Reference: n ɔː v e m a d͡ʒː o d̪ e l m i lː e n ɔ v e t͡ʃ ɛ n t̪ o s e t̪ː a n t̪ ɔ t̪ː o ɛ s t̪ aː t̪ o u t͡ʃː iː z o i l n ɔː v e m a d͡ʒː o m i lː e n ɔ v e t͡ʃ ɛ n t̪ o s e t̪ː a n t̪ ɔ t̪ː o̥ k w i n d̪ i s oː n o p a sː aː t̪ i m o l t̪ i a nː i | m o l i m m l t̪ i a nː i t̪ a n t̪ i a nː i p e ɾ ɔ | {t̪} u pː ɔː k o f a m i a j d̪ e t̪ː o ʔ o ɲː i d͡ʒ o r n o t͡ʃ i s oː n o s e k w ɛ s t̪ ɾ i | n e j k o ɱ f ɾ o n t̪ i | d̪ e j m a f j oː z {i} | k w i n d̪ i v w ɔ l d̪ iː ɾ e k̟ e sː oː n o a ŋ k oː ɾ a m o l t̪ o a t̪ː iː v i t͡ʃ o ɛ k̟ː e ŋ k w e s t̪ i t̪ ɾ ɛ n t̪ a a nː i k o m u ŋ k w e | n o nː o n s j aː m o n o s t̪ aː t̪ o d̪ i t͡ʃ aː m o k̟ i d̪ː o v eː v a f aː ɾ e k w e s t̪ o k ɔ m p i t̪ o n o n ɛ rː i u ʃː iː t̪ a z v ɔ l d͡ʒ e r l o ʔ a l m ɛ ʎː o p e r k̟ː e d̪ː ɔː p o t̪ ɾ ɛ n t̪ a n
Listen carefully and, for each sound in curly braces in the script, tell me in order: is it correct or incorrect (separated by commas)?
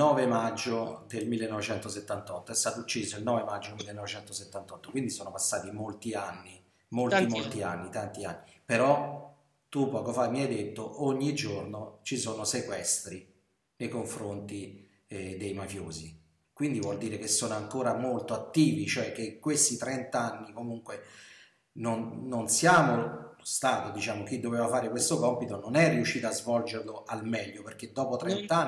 correct, correct